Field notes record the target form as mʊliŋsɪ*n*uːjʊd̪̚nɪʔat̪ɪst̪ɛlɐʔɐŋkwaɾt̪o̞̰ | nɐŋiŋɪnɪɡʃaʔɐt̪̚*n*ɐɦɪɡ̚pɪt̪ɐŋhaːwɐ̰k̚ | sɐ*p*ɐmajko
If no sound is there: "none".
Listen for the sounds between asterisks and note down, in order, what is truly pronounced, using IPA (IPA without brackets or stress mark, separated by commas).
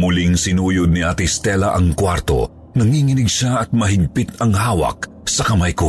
n, m, k